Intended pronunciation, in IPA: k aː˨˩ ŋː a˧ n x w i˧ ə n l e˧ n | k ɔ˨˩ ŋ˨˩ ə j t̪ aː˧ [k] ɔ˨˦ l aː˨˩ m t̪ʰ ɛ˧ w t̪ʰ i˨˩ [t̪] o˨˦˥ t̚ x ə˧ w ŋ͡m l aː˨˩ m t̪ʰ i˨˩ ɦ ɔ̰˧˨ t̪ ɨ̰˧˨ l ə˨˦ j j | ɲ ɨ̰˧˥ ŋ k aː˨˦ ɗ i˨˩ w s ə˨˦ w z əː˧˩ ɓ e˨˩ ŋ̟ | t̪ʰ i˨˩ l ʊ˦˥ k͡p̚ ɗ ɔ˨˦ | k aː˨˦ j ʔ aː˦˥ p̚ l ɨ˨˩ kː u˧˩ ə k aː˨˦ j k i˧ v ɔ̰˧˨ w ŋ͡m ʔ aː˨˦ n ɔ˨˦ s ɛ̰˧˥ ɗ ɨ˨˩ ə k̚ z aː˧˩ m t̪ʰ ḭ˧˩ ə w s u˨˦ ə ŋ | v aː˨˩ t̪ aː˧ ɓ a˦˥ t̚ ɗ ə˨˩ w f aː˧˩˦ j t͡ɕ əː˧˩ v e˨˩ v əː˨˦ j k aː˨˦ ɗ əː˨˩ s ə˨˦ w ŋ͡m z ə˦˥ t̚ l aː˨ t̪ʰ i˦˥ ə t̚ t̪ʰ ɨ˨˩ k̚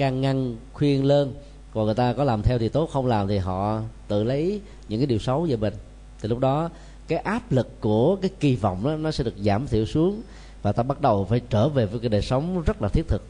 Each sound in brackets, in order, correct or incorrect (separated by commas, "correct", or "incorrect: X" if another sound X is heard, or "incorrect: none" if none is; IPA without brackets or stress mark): correct, correct